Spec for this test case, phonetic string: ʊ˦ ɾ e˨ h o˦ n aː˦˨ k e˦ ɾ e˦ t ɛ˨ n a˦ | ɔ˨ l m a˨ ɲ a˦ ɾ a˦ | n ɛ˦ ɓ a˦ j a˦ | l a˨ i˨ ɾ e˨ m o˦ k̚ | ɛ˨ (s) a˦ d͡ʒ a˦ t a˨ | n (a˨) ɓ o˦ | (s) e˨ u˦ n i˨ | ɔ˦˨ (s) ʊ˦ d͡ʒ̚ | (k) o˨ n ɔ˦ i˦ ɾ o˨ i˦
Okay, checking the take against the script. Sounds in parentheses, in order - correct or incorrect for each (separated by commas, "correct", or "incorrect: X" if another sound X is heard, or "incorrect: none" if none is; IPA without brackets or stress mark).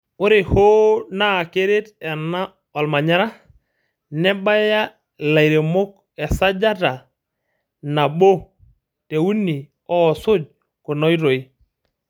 correct, correct, incorrect: t, correct, correct